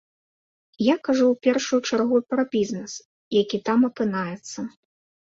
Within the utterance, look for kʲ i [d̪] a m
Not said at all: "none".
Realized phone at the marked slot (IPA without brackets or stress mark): t̪